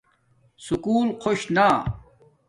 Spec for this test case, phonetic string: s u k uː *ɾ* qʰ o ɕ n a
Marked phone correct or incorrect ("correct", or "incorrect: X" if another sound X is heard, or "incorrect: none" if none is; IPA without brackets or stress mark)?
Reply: incorrect: l